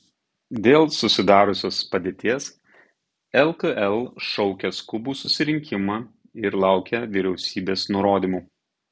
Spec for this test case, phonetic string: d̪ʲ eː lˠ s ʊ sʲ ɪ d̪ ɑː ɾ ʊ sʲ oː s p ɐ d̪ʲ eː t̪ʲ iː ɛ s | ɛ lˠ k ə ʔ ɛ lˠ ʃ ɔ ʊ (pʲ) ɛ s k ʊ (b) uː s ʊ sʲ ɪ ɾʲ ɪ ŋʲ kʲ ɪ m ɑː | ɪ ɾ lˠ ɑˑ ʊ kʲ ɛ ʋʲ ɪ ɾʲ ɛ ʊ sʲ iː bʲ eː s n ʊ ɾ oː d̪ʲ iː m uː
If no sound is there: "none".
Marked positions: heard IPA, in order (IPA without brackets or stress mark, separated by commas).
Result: kʲ, b